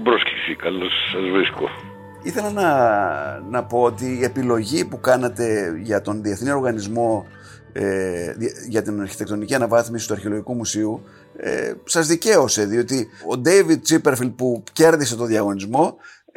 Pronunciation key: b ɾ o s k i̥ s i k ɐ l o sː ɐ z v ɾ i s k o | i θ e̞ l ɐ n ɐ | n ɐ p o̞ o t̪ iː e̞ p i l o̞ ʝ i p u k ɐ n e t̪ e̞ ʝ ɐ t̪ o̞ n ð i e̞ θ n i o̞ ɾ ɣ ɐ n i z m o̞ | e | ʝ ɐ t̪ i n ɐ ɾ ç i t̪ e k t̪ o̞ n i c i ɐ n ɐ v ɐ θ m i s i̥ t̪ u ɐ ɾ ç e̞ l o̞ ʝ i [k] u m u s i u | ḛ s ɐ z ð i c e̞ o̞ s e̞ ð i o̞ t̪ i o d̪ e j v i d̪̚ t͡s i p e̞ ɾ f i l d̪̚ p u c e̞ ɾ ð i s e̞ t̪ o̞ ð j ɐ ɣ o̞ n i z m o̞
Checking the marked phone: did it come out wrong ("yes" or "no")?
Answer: no